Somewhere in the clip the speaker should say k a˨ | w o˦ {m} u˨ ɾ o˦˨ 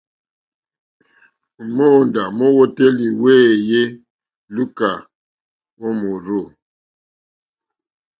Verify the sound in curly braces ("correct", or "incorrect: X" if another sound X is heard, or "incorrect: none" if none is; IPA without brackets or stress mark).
correct